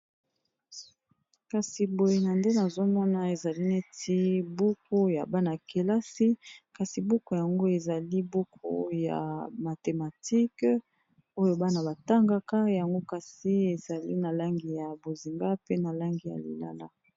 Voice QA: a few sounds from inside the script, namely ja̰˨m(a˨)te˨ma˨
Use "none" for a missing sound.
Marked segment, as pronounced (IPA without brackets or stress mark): a˨